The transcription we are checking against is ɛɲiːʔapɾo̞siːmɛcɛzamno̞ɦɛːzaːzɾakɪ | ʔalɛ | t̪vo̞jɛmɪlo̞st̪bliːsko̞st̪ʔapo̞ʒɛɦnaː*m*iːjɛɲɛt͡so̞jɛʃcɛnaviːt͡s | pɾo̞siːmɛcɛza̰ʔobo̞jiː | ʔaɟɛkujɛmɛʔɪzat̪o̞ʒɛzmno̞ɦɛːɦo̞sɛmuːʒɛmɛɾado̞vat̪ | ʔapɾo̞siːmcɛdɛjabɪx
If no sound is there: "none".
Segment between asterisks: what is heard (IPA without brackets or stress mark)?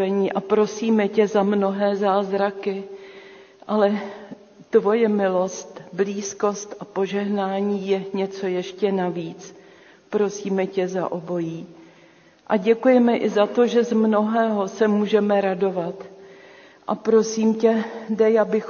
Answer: ɲ